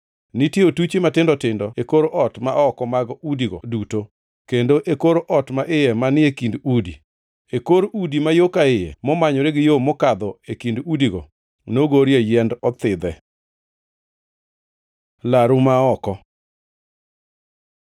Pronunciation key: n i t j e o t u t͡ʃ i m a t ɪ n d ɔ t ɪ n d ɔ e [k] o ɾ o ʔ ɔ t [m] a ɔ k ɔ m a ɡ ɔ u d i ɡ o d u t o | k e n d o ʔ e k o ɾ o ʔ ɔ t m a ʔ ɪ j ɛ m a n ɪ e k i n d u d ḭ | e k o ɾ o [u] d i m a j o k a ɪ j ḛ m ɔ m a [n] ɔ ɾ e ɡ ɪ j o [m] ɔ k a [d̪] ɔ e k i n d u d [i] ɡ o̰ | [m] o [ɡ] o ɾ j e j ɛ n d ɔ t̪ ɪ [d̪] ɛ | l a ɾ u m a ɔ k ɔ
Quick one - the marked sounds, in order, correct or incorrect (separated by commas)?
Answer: correct, correct, correct, incorrect, correct, correct, correct, incorrect, correct, correct